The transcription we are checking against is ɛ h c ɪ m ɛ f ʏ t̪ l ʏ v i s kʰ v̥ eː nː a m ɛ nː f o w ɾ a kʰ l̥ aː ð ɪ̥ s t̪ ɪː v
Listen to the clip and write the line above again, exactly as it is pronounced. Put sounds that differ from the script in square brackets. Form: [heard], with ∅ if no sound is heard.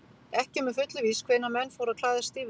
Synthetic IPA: ɛ h c ɪ m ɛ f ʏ t̪ l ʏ v i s kʰ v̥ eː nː a m ɛ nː f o w ɾ a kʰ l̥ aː ð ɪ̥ s t̪ [iː] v

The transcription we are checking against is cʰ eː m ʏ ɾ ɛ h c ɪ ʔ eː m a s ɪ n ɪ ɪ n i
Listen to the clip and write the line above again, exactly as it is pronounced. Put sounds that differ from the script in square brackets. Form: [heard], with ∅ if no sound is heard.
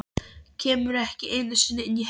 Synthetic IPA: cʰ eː m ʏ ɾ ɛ h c ɪ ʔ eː [n] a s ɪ n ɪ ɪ n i

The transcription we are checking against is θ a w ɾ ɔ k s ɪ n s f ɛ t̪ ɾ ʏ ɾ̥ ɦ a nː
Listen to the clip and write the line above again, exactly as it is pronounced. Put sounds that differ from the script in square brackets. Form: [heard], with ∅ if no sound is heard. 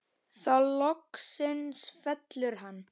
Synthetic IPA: θ a w [l] ɔ k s ɪ n s f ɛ t̪ [l] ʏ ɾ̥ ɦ a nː

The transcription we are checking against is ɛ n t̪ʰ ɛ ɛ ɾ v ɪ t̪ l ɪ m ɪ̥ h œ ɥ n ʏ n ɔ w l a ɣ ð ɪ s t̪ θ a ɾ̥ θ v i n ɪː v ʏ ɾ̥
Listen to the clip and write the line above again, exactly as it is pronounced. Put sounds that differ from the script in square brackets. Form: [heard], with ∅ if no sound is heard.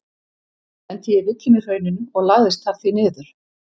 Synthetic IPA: ɛ n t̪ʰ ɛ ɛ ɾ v ɪ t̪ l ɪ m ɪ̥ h œ ɥ n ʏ n ɔ [ɣ] l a ɣ ð ɪ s t̪ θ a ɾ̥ θ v i n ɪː [ð] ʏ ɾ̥

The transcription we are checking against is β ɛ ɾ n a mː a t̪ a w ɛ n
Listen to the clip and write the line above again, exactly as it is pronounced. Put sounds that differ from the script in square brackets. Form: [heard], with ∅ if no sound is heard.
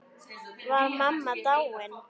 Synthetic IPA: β [a] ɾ [m] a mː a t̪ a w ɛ n

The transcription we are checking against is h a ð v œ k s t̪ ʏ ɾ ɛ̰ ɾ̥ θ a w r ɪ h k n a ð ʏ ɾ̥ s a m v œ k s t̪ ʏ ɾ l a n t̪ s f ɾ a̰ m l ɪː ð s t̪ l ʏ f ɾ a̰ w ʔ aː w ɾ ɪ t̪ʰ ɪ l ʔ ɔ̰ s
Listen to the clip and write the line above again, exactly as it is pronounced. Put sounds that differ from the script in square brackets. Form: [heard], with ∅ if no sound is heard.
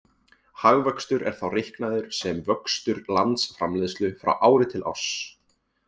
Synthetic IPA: h a [ɣ] v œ k s t̪ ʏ ɾ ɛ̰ ɾ̥ θ a w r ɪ h k n a ð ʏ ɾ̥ s [ɛ] m v œ k s t̪ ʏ ɾ l a n t̪ s f ɾ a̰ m l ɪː ð s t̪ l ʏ f ɾ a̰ w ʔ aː w ɾ ɪ t̪ʰ ɪ l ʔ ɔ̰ s

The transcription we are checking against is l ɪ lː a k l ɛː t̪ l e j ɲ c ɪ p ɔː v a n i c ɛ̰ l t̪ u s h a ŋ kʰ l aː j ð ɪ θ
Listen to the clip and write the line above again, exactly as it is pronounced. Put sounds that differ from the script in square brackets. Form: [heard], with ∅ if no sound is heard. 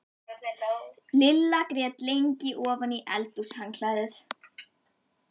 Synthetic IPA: l ɪ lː a k [ɾ] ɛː t̪ l e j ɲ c ɪ [ʔ] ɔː v a n i [ʔ] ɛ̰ l t̪ u s h a ŋ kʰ l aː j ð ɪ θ

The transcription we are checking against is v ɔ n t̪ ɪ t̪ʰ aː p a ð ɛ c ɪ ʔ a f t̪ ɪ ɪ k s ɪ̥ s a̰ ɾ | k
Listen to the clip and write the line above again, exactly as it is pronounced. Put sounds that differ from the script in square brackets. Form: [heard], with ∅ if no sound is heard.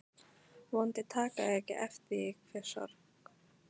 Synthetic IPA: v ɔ n t̪ ɪ t̪ʰ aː [k] a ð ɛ c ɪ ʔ [ɛ] f t̪ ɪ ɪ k [f] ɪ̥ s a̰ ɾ | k

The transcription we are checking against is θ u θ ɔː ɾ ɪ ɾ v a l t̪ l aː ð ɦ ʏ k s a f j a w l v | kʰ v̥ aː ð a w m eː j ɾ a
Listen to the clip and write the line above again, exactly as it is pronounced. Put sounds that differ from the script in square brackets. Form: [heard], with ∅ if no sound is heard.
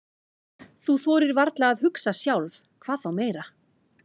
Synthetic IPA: θ u θ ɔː ɾ ɪ ɾ v a [ɾ] t̪ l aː ð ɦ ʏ k s a [s] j a w l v | kʰ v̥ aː [θ] a w m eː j ɾ a

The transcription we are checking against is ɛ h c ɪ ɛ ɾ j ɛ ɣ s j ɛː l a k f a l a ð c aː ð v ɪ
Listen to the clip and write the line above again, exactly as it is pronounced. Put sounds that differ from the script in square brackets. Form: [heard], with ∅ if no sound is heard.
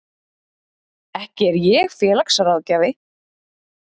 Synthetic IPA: ɛ h c ɪ ɛ ɾ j ɛ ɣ [f] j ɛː l a k [s] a [ɾ] a ð c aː [∅] v ɪ

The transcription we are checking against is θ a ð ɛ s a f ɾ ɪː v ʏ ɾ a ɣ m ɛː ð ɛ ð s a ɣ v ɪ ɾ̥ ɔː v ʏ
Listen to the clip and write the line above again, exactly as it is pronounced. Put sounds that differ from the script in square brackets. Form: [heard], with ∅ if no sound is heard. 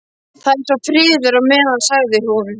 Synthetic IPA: θ a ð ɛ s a f ɾ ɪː [ð] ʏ ɾ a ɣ m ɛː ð [a] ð s a ɣ [ð] ɪ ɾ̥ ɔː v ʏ

